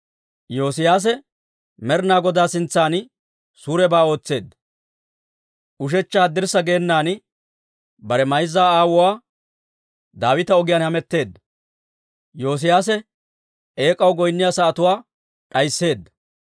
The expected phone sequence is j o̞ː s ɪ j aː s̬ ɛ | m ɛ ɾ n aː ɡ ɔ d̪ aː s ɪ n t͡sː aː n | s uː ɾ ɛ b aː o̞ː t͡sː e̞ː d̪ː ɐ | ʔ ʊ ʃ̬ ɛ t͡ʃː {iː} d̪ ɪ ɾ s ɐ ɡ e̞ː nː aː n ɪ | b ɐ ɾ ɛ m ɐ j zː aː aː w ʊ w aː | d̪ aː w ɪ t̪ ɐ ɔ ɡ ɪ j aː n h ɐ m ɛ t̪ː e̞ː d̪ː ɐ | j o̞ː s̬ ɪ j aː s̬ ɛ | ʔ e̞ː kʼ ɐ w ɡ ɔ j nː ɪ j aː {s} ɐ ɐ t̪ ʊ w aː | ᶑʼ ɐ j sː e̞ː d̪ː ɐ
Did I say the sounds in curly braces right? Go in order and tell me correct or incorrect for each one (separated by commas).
incorrect, correct